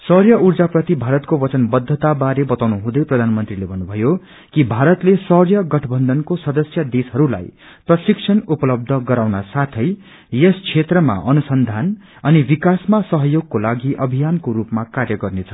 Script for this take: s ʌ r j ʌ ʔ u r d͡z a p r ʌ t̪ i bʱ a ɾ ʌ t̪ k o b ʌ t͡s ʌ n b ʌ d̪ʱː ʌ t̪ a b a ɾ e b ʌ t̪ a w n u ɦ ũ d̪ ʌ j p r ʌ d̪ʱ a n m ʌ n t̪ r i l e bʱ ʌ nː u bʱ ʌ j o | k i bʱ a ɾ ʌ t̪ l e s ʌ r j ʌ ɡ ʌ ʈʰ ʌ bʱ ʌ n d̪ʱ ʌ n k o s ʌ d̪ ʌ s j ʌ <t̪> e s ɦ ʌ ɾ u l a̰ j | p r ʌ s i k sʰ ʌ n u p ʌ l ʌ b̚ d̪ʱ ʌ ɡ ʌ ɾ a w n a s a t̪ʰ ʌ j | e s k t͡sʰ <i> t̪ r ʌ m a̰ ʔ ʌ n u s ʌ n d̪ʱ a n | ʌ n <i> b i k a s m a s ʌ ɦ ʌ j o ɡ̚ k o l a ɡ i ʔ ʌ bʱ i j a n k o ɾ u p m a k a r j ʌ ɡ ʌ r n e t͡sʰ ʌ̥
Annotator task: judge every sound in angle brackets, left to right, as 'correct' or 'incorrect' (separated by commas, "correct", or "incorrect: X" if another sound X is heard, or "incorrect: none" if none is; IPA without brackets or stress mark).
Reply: incorrect: d̪, incorrect: e, correct